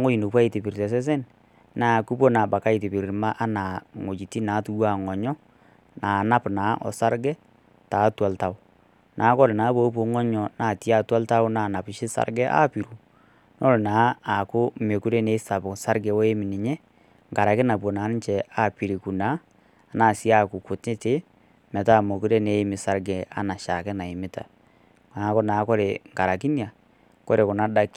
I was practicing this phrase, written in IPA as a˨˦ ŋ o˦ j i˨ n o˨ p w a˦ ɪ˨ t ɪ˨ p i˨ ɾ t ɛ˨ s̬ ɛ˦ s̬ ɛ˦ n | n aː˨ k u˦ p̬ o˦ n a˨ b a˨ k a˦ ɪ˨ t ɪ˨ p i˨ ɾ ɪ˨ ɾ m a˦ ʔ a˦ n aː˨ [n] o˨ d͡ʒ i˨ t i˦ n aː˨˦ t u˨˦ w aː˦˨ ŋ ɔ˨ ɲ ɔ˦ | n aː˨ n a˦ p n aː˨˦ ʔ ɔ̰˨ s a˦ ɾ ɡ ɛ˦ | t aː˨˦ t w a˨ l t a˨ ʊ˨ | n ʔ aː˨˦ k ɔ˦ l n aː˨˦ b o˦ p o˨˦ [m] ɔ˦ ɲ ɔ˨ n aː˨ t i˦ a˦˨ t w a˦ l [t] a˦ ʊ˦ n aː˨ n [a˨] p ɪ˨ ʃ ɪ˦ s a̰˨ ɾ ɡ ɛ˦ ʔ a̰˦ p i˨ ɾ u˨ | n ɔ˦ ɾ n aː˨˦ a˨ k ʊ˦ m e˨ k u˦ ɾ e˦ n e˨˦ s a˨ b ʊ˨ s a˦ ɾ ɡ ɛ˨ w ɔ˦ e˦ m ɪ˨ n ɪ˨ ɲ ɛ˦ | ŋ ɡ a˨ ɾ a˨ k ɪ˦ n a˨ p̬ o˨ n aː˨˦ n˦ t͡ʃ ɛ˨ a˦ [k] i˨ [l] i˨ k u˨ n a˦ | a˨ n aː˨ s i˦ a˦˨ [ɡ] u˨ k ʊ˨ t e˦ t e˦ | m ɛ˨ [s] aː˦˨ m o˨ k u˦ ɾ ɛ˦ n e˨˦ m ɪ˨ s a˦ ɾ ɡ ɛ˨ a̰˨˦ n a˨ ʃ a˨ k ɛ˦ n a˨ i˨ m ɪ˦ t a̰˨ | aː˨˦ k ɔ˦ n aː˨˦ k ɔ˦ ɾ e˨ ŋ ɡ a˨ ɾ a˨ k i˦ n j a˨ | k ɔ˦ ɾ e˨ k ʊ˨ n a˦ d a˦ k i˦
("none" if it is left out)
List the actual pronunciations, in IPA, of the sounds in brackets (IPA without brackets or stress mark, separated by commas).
ŋ, ŋ, t, a˨, p, ɾ, k, t